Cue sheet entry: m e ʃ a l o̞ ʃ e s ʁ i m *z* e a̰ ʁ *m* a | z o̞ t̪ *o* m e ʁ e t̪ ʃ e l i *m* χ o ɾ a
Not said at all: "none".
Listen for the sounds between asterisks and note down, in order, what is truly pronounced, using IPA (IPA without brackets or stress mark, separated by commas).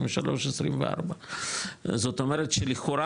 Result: v, b, o, none